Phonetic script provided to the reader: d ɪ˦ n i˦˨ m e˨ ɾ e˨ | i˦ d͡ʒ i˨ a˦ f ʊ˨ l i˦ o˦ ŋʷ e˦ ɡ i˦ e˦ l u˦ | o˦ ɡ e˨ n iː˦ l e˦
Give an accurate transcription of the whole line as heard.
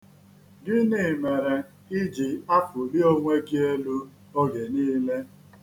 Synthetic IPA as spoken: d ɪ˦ n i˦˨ m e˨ ɾ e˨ | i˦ d͡ʒ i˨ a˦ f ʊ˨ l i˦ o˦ ŋʷ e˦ ɡ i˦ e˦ l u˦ | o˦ ɡ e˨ n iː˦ l e˦